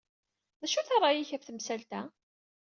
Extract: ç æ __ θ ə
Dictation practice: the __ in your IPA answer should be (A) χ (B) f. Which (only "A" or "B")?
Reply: B